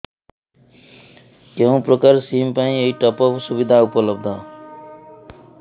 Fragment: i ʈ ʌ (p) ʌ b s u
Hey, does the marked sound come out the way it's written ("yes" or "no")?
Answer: yes